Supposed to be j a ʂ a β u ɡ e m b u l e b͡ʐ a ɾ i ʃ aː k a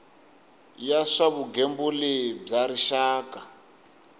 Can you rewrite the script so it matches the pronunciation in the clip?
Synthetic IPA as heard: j a ʂ a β u ɡ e m b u l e b͡ʐ a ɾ i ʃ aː k a